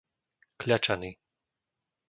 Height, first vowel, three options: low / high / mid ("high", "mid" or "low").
low